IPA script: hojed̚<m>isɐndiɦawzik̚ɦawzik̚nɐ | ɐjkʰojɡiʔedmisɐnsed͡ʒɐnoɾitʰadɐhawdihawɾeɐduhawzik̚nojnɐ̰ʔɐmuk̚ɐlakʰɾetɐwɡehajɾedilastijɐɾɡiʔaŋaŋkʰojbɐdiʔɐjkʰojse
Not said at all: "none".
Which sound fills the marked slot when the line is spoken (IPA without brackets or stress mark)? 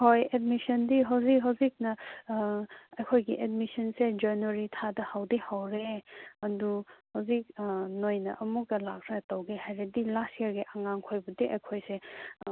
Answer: m